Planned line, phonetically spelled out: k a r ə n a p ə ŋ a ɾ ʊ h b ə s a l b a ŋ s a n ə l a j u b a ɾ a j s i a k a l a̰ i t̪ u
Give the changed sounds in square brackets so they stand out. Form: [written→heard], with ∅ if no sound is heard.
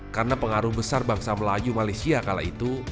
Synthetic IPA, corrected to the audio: k a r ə n a p ə ŋ a ɾ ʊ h b ə s a [l→r] b a ŋ s a [n→m] ə l a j u [b→m] a [ɾ→l] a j s i a k a l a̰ i t̪ u